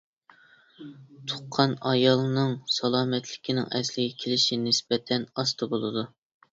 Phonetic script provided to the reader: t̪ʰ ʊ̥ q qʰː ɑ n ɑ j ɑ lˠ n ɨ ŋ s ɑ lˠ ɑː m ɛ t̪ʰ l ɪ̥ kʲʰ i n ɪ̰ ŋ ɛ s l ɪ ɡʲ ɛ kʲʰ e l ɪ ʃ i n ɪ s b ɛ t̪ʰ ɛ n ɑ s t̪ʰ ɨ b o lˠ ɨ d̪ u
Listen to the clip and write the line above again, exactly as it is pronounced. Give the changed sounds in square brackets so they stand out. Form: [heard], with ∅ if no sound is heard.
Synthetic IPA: t̪ʰ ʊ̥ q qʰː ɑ n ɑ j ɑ lˠ n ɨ ŋ s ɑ lˠ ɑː m ɛ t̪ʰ l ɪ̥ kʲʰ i n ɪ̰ ŋ ɛ s l ɪ ɡʲ ɛ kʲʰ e l ɪ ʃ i n ɪ s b ɛ t̪ʰ ɛ n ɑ s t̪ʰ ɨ b o lˠ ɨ d̪ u